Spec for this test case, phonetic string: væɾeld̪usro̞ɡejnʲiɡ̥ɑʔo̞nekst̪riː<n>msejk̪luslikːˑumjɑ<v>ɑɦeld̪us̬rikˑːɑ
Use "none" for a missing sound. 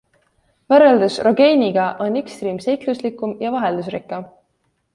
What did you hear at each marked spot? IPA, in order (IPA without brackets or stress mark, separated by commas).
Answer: none, v